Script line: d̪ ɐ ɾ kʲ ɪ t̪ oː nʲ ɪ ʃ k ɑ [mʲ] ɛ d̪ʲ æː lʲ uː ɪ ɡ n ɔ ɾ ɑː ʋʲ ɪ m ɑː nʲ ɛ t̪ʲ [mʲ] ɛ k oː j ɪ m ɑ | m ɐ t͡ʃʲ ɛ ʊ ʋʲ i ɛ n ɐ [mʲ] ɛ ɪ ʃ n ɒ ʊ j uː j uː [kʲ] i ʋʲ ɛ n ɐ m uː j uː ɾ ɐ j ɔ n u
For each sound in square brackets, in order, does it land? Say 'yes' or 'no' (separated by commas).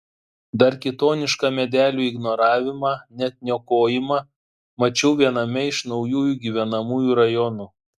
yes, no, yes, no